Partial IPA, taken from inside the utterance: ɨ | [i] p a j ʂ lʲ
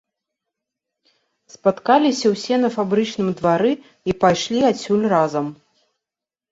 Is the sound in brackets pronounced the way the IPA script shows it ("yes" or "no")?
yes